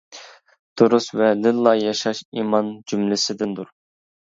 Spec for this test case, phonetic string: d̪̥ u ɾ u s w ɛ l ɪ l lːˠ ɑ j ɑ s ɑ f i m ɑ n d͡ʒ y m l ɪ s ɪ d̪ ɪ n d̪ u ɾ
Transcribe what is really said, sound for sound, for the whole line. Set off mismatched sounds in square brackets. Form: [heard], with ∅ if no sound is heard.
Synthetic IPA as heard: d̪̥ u ɾ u s [v] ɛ l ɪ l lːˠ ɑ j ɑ [ʃ] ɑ [ʃ] i m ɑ n d͡ʒ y m l ɪ s ɪ d̪ ɪ n d̪ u ɾ